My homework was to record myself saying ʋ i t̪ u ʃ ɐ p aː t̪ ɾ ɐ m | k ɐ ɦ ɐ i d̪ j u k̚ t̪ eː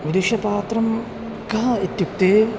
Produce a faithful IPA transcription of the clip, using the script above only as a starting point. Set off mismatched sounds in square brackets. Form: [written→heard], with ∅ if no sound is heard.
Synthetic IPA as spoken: ʋ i [t̪→d̪] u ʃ ɐ p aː t̪ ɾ ɐ m | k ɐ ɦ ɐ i [d̪→t̪] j u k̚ t̪ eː